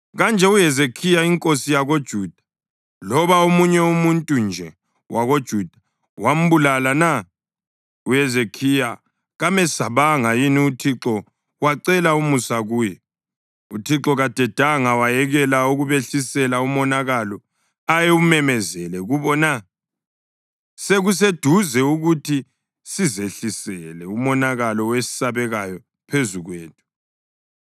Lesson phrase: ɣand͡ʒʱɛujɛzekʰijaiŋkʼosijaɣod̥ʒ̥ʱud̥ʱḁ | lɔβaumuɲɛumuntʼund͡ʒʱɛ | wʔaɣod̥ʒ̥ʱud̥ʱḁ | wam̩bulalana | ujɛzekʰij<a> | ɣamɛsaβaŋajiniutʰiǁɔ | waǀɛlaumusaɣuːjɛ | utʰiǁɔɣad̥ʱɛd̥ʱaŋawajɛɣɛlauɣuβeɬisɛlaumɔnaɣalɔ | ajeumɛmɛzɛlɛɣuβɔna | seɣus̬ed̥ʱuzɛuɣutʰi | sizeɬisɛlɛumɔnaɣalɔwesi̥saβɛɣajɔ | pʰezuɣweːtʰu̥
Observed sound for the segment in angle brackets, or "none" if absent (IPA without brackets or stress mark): a